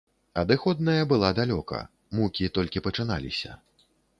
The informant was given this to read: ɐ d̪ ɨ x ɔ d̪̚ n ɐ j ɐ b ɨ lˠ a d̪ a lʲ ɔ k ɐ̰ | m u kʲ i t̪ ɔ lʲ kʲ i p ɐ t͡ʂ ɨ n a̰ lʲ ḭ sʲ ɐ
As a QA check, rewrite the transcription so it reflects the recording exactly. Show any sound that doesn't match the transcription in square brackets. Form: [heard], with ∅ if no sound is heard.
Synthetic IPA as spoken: ɐ d̪ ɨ x ɔ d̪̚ n ɐ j ɐ b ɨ lˠ a d̪ a lʲ ɔ k ɐ̰ | m u kʲ i t̪ ɔ lʲ kʲ i p ɐ t͡ʂ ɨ n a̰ lʲ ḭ sʲ ɐ

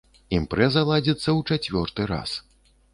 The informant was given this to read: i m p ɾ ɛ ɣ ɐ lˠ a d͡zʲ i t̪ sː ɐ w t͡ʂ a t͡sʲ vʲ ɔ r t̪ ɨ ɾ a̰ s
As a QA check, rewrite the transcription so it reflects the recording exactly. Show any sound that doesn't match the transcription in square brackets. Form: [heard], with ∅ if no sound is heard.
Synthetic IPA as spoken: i m p ɾ ɛ [z] ɐ lˠ a d͡zʲ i t̪ sː ɐ w t͡ʂ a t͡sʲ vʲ ɔ r t̪ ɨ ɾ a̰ s

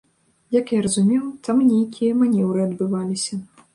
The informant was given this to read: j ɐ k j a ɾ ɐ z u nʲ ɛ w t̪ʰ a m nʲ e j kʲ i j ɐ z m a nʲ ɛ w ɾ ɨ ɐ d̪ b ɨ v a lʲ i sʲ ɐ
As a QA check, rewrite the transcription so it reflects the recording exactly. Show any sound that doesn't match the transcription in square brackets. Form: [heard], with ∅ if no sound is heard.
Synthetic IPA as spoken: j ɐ k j a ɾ ɐ z u [mʲ] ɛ w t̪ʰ a m nʲ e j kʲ i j ɐ [∅] m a nʲ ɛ w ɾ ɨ ɐ d̪ b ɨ v a lʲ i sʲ ɐ

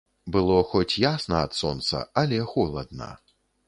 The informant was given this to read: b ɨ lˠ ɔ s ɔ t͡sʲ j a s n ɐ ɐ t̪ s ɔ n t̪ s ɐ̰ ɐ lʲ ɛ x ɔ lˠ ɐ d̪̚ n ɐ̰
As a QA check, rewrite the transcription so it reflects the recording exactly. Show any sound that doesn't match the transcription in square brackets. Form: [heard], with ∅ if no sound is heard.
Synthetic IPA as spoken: b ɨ lˠ ɔ [x] ɔ t͡sʲ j a s n ɐ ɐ t̪ s ɔ n t̪ s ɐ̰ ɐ lʲ ɛ x ɔ lˠ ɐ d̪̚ n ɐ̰

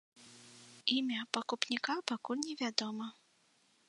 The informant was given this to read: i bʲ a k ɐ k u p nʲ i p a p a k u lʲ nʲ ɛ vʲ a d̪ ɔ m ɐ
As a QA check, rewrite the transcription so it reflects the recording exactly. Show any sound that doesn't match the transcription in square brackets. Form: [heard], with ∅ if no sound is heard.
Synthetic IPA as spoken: i [mʲ] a [p] ɐ k u p nʲ i [k] a p a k u lʲ nʲ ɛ vʲ a d̪ ɔ m ɐ

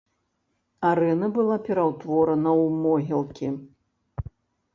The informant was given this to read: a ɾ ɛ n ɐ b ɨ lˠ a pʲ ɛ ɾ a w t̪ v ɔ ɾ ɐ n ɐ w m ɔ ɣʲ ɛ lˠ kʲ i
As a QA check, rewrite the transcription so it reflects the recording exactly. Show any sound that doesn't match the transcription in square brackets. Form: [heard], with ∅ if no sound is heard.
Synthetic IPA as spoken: a ɾ ɛ n ɐ b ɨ lˠ a pʲ ɛ ɾ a w t̪ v ɔ ɾ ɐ n ɐ w m ɔ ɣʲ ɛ lˠ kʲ i

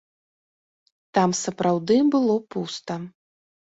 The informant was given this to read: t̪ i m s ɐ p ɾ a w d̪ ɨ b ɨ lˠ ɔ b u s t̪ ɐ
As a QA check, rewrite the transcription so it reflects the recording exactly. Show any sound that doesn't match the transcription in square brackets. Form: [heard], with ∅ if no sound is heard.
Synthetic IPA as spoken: t̪ [a] m s ɐ p ɾ a w d̪ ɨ b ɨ lˠ ɔ [p] u s t̪ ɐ

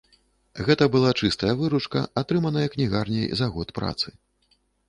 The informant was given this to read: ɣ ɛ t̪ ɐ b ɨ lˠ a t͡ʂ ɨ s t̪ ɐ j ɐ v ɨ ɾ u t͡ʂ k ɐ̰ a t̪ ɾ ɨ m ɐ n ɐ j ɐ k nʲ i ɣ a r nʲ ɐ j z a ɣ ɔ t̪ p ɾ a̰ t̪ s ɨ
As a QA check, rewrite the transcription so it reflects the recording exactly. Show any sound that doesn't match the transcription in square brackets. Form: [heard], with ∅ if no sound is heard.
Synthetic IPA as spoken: ɣ ɛ t̪ ɐ b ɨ lˠ a t͡ʂ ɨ s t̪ ɐ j ɐ v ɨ ɾ u t͡ʂ k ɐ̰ a t̪ ɾ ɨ m ɐ n ɐ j ɐ k nʲ i ɣ a r nʲ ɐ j z a ɣ ɔ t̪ p ɾ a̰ t̪ s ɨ

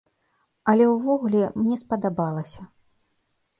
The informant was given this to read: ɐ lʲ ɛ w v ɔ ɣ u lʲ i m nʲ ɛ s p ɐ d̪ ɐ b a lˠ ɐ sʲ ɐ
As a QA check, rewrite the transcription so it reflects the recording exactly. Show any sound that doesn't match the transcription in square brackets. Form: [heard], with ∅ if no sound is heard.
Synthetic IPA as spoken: ɐ lʲ ɛ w v ɔ ɣ u lʲ [ɛ] m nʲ ɛ s p ɐ d̪ [a] b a lˠ ɐ sʲ ɐ

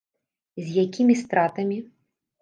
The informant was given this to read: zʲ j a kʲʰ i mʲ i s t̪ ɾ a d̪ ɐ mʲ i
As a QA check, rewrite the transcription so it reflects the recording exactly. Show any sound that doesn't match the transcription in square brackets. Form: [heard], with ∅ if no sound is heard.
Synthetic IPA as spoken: zʲ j a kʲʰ i mʲ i s t̪ ɾ a [t̪] ɐ mʲ i

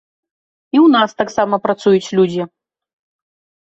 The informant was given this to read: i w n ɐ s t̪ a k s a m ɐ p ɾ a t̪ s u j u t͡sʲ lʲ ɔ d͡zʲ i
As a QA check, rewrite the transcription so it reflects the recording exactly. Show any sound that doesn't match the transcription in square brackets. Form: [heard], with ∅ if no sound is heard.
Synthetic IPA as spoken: i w n [a] s t̪ a k s a m ɐ p ɾ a t̪ s u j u t͡sʲ lʲ [u] d͡zʲ i

